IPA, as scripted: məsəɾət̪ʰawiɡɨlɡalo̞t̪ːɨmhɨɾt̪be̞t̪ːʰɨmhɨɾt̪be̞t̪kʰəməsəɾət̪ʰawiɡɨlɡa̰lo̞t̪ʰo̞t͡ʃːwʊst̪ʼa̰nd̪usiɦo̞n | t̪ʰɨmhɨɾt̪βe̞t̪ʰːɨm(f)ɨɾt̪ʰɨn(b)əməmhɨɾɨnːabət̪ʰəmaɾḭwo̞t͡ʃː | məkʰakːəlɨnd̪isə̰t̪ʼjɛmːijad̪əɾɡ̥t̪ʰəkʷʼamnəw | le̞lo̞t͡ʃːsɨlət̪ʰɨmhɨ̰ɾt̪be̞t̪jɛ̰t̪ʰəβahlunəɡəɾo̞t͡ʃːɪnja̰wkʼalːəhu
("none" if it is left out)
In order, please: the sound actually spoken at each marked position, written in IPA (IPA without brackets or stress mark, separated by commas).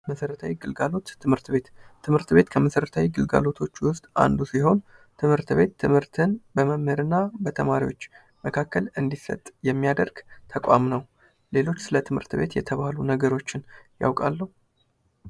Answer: h, b